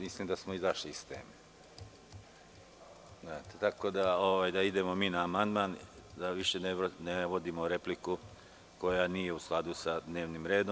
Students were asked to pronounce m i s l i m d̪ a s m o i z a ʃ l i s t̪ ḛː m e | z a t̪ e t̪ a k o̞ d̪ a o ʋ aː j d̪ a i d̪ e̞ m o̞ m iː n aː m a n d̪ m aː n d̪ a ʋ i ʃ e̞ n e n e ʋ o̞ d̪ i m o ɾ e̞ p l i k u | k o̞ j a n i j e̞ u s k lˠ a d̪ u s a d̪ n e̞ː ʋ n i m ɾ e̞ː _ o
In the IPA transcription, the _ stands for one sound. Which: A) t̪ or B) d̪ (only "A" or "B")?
B